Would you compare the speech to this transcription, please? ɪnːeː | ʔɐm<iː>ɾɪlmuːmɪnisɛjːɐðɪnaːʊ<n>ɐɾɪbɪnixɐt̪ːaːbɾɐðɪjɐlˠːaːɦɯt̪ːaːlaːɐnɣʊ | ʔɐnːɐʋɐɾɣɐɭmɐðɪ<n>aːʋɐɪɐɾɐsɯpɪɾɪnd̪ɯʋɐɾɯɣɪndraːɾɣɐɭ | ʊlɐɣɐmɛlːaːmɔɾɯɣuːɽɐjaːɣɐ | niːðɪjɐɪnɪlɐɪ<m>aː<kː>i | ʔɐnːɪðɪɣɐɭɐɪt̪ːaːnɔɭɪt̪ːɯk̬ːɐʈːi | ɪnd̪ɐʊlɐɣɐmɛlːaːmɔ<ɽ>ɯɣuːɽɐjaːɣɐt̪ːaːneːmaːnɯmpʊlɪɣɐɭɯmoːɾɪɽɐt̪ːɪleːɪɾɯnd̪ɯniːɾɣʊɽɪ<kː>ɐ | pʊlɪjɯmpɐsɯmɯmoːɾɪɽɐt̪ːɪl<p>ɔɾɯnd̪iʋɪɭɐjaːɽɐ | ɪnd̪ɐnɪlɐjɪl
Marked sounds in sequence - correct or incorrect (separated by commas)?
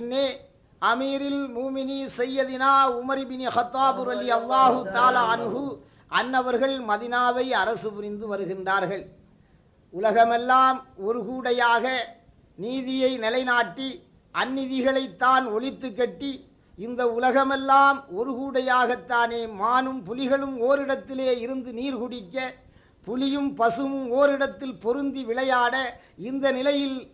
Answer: correct, incorrect, correct, incorrect, incorrect, incorrect, correct, correct